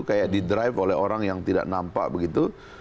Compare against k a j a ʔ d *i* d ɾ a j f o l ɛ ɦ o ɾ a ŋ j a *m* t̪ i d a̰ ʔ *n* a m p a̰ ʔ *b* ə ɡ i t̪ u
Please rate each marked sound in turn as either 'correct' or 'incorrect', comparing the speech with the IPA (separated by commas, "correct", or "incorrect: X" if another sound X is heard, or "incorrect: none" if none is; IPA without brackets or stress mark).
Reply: correct, incorrect: ŋ, correct, correct